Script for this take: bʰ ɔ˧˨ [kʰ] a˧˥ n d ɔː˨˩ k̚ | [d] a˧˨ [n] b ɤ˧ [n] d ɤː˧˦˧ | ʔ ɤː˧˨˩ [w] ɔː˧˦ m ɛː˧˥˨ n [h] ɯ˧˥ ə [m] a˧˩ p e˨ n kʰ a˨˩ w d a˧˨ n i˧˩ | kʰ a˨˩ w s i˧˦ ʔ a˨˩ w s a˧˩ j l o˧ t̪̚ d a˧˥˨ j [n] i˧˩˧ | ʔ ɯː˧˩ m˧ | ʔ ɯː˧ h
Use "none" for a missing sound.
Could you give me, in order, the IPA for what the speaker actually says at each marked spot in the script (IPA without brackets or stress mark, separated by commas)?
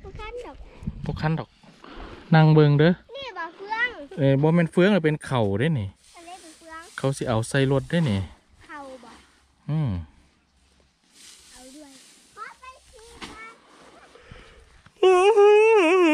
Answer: kʰ, n, ŋ, ŋ, b, f, ŋ, n